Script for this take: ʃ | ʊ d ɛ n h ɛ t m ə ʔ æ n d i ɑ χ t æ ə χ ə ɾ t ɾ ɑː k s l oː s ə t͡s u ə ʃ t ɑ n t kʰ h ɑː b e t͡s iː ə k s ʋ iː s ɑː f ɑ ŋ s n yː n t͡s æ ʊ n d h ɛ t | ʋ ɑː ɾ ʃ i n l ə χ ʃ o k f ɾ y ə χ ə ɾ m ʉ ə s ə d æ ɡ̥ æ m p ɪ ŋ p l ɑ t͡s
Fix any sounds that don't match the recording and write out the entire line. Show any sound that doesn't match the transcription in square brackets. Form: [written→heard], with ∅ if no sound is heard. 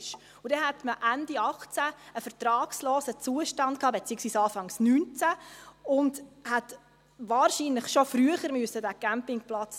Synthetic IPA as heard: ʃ | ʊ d ɛ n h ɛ t m ə ʔ æ n d i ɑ χ [t→t͡s] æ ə [χ→f] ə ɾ t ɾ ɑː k s l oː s ə t͡s u ə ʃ t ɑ n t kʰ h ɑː b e t͡s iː ə k s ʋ iː s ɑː f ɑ ŋ s n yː n t͡s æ ʊ n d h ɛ t | ʋ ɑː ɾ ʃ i n l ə χ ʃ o [k→∅] f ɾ y ə χ ə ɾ m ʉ ə s ə d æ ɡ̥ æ m p ɪ ŋ p l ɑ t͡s